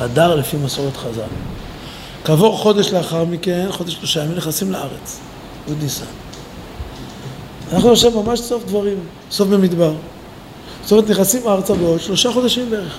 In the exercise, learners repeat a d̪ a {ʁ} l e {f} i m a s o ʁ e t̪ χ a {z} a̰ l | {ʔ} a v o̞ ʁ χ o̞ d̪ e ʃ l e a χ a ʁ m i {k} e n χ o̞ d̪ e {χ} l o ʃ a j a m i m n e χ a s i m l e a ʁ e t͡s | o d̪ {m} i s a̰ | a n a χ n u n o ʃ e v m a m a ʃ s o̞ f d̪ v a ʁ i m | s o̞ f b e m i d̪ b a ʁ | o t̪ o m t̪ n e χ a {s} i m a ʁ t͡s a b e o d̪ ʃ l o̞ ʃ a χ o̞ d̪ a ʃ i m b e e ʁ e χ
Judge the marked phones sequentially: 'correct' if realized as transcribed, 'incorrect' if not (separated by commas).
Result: correct, correct, correct, incorrect, correct, incorrect, incorrect, correct